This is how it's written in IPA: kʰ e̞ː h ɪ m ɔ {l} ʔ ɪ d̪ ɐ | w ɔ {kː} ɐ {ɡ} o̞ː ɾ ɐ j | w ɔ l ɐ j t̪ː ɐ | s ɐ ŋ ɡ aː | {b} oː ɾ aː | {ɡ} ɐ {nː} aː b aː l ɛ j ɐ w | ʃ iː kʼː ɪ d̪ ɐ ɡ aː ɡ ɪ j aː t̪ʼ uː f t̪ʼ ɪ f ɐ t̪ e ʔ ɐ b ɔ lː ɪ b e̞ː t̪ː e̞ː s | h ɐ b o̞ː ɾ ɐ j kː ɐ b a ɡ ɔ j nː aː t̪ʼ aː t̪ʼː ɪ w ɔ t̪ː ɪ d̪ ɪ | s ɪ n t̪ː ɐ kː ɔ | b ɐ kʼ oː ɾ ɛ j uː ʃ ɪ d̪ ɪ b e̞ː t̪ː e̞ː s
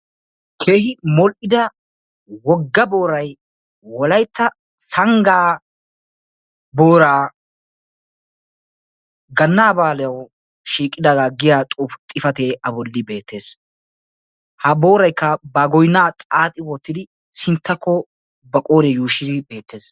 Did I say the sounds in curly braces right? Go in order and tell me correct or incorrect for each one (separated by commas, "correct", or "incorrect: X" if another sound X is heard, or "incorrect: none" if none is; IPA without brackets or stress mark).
correct, incorrect: ɡː, incorrect: b, correct, correct, correct